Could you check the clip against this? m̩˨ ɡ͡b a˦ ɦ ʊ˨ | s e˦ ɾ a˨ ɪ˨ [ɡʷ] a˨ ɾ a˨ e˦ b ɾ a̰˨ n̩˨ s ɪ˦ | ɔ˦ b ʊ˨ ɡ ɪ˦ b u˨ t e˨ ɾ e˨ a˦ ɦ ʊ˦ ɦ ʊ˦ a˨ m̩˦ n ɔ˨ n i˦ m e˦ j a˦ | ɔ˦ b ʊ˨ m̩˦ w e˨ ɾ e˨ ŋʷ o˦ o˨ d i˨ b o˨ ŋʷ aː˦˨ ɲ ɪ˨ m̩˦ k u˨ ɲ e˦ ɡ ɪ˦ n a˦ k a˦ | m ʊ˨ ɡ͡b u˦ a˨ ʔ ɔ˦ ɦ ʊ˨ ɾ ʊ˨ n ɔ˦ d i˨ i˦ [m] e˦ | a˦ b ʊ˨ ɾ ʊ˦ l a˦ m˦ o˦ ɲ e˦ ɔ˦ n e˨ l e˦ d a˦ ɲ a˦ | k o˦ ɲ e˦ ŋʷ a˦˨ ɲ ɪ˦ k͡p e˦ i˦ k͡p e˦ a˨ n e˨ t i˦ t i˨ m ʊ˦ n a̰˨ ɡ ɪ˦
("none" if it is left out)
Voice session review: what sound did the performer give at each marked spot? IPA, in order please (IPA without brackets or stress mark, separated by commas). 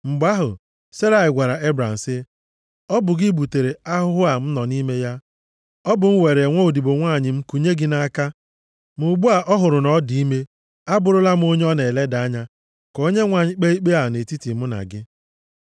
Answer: ɡʷ, m